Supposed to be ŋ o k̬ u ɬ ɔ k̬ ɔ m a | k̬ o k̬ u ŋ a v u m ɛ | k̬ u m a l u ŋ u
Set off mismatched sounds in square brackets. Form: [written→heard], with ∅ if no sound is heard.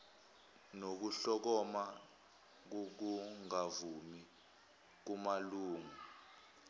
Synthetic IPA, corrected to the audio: [ŋ→n] o k̬ u ɬ ɔ k̬ ɔ m a | k̬ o k̬ u ŋ a v u m [ɛ→i] | k̬ u m a l [u→uː] ŋ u